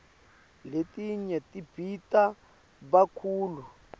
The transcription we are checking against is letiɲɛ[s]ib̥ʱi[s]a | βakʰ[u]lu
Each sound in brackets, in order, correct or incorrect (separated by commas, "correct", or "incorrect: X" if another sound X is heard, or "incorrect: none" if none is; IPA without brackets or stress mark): incorrect: t, incorrect: t, incorrect: uː